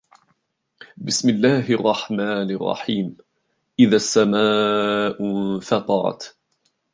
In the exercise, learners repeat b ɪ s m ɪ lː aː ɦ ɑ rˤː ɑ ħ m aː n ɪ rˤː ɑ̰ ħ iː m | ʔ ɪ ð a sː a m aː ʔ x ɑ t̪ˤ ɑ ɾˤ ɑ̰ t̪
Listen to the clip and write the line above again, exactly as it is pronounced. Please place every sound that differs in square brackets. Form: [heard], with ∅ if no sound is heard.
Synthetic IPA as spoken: b ɪ s m ɪ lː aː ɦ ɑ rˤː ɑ ħ m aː n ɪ rˤː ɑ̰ ħ iː m | ʔ ɪ ð a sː a m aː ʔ [f] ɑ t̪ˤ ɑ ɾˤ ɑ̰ t̪

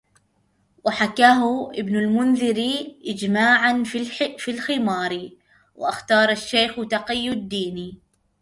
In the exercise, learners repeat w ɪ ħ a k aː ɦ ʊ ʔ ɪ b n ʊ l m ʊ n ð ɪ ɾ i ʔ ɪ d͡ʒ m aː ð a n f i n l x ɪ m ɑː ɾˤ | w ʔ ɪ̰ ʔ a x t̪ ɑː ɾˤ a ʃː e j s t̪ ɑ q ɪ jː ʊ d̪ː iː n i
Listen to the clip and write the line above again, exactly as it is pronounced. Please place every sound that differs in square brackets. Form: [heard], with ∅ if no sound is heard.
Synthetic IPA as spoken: w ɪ ħ a k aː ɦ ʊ ʔ ɪ b n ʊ l m ʊ n ð ɪ ɾ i ʔ ɪ d͡ʒ m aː [ʕ] a n f i [∅] l x ɪ m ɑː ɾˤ | w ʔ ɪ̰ ʔ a x t̪ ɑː ɾˤ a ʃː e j [x] t̪ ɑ q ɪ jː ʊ d̪ː iː n i

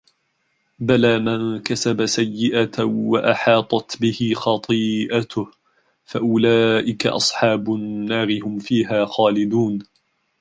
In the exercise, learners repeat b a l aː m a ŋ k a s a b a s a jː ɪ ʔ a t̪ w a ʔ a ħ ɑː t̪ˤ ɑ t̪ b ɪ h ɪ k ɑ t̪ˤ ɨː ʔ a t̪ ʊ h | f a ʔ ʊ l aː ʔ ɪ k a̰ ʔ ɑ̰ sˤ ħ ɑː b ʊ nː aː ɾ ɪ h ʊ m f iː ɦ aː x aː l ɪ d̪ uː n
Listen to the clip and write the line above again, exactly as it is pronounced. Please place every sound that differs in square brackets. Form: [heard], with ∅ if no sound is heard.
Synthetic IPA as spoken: b a l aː m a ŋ k a s a b a s a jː ɪ ʔ a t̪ w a ʔ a ħ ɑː t̪ˤ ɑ t̪ b ɪ h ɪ [x] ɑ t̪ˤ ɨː ʔ a t̪ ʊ h | f a ʔ ʊ l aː ʔ ɪ k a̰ ʔ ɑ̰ sˤ ħ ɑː b ʊ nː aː ɾ ɪ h ʊ m f iː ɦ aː x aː l ɪ d̪ uː n

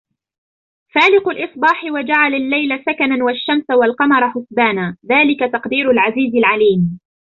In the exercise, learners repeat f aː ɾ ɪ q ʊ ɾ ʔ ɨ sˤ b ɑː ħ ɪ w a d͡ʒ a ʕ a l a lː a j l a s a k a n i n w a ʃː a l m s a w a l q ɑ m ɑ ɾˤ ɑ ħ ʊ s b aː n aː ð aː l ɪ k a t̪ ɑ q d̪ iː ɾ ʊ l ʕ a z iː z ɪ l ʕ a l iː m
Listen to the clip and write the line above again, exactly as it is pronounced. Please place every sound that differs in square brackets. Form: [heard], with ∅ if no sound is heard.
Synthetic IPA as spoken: f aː [l] ɪ q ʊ [l] ʔ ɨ sˤ b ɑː ħ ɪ w a d͡ʒ a ʕ a l a lː a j l a s a k a n [a] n w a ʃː a [∅] m s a w a l q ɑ m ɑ ɾˤ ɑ ħ ʊ s b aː n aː ð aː l ɪ k a t̪ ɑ q d̪ iː ɾ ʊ l ʕ a z iː z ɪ l ʕ a l iː m

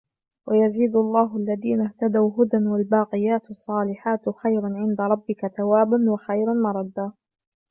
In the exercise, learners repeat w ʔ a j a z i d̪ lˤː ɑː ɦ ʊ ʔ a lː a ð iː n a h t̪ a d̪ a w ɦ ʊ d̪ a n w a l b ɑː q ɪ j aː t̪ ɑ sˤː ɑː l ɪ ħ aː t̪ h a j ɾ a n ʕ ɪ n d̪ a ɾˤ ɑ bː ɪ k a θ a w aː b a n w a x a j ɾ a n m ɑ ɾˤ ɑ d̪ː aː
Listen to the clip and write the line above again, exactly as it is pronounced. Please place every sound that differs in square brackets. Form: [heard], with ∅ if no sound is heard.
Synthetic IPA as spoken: w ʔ a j a z [iː] d̪ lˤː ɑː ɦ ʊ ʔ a lː a ð iː n a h t̪ a d̪ a w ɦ ʊ d̪ a n w a l b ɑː q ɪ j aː t̪ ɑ sˤː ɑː l ɪ ħ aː t̪ [x] a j ɾ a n ʕ ɪ n d̪ a ɾˤ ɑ bː ɪ k a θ a w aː b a n w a x a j ɾ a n m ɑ ɾˤ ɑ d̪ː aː

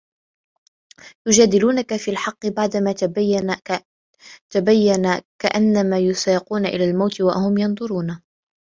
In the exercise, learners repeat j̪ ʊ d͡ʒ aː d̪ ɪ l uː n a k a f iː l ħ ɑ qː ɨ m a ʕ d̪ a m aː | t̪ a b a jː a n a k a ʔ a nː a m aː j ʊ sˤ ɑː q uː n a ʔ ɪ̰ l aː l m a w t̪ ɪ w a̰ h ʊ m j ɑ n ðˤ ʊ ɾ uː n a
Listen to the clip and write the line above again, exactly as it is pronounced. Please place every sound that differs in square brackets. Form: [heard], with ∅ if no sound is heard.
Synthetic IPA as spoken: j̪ ʊ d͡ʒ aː d̪ ɪ l uː n a k a f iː l ħ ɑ qː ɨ [b] a ʕ d̪ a m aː | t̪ a b a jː a n a k a ʔ a nː a m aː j ʊ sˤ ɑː q uː n a ʔ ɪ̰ l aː l m a w t̪ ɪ w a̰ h ʊ m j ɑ n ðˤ ʊ ɾ uː n a

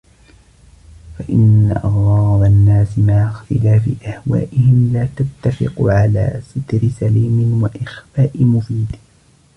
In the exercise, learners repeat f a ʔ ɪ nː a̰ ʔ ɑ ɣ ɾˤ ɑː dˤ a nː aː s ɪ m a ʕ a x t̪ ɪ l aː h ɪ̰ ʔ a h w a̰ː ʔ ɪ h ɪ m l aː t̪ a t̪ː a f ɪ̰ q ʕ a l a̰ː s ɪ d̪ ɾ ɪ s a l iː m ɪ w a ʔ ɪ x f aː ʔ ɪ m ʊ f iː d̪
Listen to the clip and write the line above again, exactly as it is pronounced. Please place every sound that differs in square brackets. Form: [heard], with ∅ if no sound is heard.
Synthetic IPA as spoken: f a ʔ ɪ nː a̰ ʔ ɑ ɣ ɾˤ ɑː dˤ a nː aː s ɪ m a ʕ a x t̪ ɪ l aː [f] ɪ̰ ʔ a h w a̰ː ʔ ɪ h ɪ m l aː t̪ a t̪ː a f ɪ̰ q ʕ a l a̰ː s ɪ [t̪] ɾ ɪ s a l iː m ɪ w a ʔ ɪ x f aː ʔ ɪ m ʊ f iː d̪

